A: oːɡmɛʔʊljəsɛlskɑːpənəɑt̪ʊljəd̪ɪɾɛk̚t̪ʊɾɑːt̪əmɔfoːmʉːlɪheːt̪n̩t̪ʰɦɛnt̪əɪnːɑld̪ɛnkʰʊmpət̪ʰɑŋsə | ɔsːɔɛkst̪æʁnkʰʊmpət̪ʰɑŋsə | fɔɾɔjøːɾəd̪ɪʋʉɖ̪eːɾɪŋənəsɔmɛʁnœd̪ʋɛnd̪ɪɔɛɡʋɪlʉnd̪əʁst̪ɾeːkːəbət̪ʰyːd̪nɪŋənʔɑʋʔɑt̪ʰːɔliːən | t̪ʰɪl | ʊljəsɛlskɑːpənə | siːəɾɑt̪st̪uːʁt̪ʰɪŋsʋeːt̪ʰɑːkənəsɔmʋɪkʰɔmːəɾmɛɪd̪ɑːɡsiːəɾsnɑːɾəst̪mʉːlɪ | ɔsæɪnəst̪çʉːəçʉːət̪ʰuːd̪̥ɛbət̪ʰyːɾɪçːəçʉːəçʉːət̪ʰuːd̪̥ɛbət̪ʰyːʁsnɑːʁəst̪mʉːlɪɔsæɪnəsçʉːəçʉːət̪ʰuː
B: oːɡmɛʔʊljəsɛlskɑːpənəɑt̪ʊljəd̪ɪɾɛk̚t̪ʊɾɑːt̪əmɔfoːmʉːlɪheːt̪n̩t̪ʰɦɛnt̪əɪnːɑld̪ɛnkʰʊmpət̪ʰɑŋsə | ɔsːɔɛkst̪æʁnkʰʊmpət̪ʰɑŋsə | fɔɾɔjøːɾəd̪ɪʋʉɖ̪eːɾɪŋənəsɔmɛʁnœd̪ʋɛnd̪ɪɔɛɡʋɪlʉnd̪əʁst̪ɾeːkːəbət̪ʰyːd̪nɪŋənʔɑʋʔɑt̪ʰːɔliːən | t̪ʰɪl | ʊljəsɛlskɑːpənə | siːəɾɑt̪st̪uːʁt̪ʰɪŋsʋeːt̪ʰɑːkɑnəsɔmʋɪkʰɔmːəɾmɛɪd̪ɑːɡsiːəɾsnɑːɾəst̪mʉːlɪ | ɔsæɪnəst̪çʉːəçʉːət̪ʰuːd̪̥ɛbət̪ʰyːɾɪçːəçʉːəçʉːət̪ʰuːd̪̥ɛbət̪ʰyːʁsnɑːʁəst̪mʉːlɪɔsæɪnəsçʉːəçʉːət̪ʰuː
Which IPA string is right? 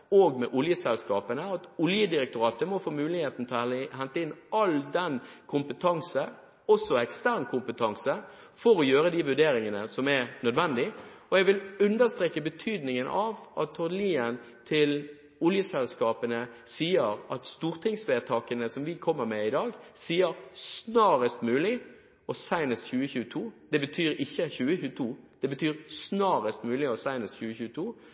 A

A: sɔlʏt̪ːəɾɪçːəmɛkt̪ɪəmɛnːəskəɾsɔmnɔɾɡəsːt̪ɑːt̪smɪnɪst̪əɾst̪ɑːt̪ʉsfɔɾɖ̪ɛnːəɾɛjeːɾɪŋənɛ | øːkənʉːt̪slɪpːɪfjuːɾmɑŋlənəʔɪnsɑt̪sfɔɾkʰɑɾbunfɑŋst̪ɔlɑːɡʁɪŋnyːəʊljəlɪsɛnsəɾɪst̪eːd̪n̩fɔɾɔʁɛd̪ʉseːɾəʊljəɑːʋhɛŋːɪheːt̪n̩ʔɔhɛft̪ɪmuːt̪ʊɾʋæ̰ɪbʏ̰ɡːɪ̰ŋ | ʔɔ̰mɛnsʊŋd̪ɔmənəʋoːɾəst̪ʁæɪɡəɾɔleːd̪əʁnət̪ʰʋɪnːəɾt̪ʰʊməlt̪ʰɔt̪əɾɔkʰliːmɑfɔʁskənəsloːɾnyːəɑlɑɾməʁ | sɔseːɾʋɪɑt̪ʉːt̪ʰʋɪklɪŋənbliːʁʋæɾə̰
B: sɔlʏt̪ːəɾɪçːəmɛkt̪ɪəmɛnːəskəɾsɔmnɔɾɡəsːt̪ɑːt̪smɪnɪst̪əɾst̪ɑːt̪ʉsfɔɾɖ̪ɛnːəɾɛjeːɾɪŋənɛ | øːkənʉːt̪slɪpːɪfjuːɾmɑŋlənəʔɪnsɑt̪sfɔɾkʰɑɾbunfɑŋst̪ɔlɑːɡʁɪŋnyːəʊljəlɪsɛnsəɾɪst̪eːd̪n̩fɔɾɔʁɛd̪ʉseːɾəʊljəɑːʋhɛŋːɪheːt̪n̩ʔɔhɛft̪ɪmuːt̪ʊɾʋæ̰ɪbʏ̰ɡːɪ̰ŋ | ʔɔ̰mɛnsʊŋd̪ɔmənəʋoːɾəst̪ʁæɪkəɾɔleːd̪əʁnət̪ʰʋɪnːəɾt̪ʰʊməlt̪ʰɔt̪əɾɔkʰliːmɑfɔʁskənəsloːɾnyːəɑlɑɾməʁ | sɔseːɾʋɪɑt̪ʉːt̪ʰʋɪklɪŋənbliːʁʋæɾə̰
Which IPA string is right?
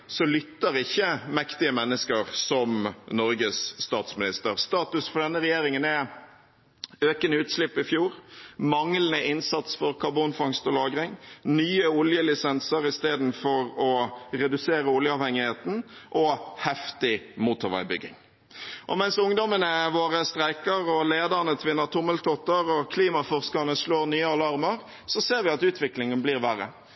B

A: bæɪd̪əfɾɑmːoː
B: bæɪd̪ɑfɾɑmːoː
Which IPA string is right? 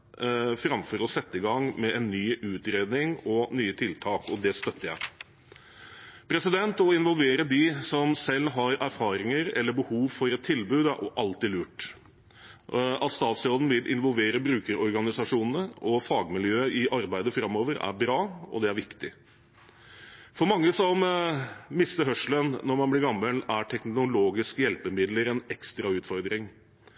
A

